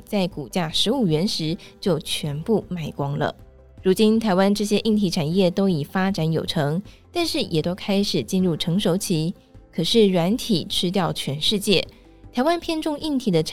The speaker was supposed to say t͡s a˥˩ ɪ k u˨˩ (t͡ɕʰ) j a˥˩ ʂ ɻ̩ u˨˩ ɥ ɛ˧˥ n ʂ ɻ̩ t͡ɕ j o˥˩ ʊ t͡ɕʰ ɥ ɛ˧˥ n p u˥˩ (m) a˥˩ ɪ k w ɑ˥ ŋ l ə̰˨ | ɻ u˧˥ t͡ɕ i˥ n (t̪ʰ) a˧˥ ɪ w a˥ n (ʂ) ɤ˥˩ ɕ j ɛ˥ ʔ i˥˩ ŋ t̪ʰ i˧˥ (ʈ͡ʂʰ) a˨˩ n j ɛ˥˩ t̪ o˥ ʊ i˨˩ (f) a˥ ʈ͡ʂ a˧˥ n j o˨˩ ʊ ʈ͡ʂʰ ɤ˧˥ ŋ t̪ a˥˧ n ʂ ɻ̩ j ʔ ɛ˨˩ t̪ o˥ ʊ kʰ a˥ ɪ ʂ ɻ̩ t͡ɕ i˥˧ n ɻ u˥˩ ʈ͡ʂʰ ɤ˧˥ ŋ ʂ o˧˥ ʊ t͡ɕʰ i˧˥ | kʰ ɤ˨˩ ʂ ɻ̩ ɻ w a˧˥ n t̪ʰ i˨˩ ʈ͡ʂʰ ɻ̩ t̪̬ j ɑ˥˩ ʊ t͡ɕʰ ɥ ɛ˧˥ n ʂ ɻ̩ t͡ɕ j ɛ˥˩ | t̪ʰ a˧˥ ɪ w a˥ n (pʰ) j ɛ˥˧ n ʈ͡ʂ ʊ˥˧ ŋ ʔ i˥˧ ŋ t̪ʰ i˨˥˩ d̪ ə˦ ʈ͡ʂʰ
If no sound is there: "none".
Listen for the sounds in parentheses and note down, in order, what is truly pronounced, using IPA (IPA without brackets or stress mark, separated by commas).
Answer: t͡ɕ, m, t̪ʰ, ʈ͡ʂ, ʈ͡ʂʰ, f, pʰ